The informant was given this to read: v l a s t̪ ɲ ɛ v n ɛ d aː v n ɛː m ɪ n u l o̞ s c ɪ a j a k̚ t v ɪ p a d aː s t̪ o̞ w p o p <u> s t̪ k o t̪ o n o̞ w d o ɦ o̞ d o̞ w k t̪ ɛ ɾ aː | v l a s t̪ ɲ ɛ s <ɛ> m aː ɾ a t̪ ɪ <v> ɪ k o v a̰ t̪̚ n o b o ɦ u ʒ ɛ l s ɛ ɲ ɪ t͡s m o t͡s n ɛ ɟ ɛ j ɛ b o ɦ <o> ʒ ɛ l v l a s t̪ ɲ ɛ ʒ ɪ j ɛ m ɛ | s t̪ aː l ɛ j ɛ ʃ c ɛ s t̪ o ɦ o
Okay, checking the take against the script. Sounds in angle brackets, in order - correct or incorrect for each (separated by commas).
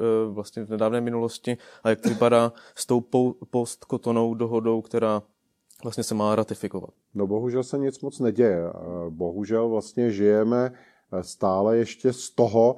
incorrect, correct, incorrect, incorrect